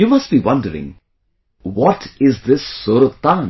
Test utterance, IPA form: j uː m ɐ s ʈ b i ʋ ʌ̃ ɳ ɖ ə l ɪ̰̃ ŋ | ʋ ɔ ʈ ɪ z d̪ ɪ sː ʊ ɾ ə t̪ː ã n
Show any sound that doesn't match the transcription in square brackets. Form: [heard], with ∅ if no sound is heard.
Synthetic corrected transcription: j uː m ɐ s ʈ b i ʋ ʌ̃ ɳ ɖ ə [ɾ] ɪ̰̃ ŋ | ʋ ɔ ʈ ɪ z d̪ ɪ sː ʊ ɾ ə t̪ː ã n